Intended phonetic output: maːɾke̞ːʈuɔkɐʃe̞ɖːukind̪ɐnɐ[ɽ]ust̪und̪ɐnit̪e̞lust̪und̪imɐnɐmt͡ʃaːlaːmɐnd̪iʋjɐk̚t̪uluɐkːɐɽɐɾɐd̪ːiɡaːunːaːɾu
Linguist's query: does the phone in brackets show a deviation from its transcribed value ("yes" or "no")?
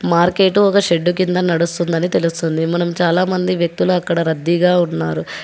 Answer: no